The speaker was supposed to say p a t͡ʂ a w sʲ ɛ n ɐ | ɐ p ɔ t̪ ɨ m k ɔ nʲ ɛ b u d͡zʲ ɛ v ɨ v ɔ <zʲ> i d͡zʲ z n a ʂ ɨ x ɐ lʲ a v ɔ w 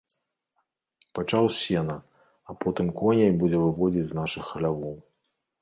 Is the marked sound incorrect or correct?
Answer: incorrect